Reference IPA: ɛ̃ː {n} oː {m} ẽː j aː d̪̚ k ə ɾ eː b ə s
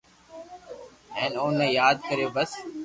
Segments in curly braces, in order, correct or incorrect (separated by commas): correct, incorrect